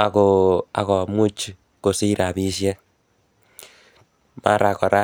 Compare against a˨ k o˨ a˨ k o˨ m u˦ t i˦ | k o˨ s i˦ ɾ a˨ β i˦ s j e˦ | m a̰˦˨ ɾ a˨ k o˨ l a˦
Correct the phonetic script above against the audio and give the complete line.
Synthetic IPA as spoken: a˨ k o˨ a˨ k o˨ m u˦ t͡ʃ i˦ | k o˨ s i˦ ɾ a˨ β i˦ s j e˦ | m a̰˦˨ ɾ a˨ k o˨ ɾ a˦